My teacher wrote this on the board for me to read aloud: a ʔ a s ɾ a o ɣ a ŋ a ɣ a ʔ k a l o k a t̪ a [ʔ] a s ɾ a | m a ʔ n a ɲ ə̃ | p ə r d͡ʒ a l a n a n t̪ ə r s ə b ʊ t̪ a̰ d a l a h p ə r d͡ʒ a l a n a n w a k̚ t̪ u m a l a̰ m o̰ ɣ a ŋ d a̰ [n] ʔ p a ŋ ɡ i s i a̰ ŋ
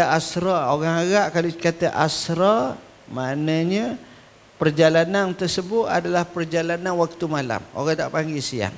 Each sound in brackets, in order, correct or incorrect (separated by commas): correct, incorrect